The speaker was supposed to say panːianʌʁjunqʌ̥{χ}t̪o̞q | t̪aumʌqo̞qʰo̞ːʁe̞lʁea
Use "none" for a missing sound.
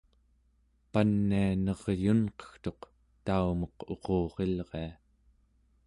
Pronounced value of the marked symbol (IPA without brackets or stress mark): x